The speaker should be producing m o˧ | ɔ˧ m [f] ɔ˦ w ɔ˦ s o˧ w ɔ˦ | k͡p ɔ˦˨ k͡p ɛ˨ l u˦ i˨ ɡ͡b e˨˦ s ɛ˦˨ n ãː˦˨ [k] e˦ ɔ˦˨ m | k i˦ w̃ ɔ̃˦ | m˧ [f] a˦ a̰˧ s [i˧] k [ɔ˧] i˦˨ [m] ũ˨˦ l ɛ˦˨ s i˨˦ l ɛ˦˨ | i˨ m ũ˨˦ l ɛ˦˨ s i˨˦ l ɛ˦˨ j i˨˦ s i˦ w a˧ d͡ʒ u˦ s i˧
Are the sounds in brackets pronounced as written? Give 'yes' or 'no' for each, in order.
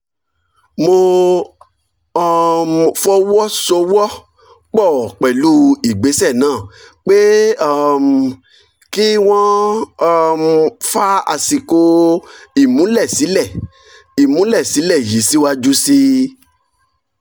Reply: yes, no, yes, yes, no, yes

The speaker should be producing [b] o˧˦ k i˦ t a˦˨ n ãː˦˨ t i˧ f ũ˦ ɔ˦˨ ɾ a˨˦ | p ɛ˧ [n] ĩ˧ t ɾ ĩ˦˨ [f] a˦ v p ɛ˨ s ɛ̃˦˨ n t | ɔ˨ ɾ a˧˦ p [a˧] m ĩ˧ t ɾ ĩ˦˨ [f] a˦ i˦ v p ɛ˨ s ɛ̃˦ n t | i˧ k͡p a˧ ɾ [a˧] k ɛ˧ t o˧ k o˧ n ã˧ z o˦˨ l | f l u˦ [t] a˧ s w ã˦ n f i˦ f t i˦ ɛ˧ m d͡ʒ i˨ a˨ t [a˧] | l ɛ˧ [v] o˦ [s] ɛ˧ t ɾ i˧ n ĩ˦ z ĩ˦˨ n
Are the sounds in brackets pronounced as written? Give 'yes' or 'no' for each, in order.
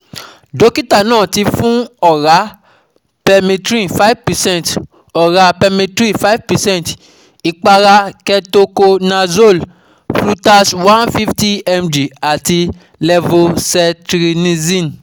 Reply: no, no, yes, no, yes, yes, yes, no, yes, yes

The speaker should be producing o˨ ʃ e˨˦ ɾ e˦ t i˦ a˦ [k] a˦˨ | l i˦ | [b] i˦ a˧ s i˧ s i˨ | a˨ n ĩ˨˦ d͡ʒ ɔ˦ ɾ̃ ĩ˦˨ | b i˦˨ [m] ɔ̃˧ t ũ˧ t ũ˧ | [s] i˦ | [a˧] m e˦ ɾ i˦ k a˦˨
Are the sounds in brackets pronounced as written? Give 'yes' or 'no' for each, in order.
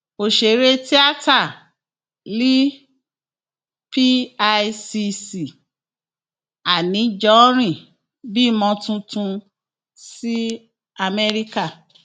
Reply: no, no, yes, yes, yes

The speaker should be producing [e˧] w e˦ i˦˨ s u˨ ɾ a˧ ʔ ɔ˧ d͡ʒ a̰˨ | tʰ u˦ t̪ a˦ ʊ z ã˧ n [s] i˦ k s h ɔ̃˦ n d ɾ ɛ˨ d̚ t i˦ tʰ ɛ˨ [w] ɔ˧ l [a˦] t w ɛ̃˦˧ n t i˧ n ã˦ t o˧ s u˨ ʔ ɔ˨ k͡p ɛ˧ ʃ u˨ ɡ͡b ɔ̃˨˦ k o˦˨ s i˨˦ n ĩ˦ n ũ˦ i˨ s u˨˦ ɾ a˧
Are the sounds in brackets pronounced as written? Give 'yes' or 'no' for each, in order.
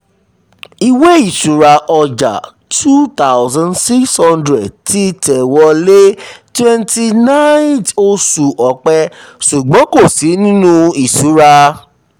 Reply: no, yes, yes, no

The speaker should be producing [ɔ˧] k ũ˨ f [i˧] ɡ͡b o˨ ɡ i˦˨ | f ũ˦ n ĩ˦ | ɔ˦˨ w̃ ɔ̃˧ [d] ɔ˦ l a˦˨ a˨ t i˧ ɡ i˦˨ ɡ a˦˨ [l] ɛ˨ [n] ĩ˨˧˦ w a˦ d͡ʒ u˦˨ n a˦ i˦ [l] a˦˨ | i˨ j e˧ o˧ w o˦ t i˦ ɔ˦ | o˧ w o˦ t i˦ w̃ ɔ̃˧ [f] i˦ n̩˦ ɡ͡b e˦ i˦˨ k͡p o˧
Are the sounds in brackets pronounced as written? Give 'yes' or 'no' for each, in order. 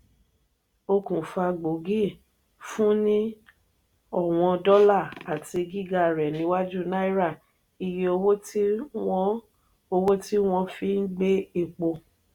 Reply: no, no, yes, no, yes, no, yes

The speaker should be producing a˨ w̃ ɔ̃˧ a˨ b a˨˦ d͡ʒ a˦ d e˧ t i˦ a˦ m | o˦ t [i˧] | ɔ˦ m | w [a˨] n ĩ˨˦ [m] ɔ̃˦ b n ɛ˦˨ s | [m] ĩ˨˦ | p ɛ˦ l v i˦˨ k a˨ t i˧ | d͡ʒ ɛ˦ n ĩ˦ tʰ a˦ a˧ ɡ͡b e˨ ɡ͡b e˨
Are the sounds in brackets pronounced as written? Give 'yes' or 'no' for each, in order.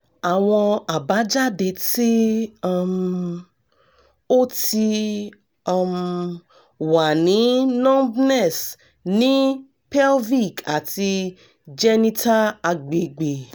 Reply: yes, yes, no, no

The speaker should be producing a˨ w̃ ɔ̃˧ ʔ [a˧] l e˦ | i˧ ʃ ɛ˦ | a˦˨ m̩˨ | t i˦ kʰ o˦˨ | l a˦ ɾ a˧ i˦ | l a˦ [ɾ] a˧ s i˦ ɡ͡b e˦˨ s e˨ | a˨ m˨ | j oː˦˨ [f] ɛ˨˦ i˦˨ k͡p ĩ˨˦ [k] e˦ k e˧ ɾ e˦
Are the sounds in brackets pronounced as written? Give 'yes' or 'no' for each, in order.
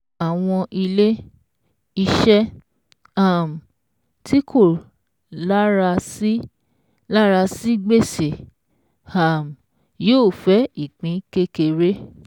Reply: no, yes, yes, yes

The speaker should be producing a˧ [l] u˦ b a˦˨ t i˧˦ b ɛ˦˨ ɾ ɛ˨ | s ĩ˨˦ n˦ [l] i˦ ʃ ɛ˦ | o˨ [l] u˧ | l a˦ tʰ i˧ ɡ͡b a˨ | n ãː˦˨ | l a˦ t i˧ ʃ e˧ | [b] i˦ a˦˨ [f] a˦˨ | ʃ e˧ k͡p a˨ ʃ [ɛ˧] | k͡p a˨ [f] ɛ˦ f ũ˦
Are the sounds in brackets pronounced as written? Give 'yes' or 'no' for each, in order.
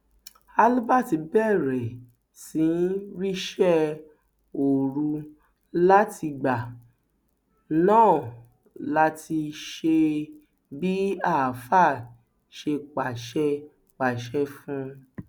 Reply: yes, no, no, yes, yes, yes, no

